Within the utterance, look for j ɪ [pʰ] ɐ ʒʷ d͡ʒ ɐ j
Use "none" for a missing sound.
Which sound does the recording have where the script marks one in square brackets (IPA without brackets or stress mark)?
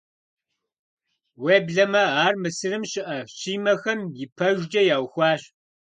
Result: pʰ